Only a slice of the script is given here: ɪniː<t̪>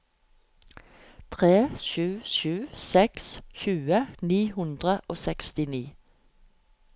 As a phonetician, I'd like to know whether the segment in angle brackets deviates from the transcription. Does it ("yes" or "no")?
yes